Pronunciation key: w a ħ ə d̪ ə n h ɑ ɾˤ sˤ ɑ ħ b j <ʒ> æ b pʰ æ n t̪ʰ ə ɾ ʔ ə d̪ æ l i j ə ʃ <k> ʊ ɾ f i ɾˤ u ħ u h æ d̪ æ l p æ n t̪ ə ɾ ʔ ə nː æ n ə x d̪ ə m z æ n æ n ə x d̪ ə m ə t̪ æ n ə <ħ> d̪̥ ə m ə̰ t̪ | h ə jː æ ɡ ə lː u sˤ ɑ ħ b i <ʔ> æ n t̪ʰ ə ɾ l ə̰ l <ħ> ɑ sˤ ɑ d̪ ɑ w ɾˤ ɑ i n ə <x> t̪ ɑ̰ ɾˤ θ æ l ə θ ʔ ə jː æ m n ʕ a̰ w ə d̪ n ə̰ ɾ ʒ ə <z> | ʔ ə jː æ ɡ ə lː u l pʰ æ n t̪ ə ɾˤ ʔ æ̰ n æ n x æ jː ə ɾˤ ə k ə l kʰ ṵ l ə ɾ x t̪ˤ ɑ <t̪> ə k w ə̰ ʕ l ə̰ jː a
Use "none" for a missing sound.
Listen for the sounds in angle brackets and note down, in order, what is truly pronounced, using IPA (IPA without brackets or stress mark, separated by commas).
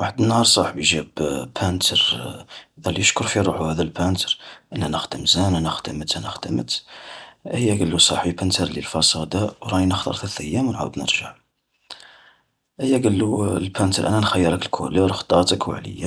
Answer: ʒ, k, x, p, f, x, ʕ, t̪